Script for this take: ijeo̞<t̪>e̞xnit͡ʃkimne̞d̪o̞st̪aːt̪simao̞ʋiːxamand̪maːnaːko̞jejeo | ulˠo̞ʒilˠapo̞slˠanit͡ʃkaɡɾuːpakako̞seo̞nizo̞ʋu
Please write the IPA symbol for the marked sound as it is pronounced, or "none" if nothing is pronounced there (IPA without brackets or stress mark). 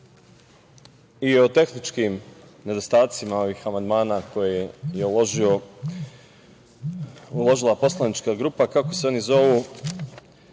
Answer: t̪